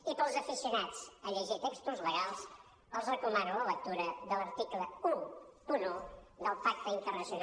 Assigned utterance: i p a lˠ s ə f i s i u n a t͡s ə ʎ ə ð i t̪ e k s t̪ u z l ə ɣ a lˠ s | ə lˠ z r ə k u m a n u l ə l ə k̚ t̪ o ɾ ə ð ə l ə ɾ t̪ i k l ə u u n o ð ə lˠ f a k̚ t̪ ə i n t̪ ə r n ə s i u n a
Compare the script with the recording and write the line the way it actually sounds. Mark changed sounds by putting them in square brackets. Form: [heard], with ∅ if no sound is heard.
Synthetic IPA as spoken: i p [ə] lˠ [z] ə f i s i u n a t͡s ə ʎ ə [ʒ] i t̪ e k s t̪ u z l ə ɣ a lˠ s | ə lˠ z r ə k u m a n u l ə l ə k̚ t̪ [u] ɾ ə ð ə l ə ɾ t̪ i k l ə u u n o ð ə lˠ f a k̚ t̪ ə i n t̪ ə r n ə s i u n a